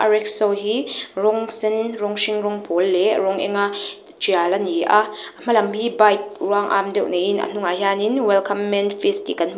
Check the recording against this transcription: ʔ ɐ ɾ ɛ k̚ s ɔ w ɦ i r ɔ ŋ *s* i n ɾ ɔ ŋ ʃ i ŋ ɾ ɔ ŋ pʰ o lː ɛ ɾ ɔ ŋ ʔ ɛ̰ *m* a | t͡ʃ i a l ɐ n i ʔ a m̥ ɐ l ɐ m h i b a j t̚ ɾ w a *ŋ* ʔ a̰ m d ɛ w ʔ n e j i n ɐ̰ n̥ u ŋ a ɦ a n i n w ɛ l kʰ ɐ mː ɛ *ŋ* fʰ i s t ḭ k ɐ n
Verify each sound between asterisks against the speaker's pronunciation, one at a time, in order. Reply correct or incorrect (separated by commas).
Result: correct, incorrect, correct, incorrect